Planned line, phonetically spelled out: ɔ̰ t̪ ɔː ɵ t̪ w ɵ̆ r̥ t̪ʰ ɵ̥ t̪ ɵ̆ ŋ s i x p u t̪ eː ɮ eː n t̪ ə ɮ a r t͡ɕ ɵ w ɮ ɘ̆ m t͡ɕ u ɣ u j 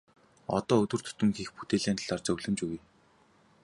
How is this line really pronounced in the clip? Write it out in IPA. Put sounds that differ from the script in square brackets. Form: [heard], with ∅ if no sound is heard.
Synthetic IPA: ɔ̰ t̪ ɔː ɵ t̪ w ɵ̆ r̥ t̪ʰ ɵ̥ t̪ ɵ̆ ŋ [x] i x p u t̪ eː ɮ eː n t̪ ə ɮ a r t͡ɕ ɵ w ɮ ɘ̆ m t͡ɕ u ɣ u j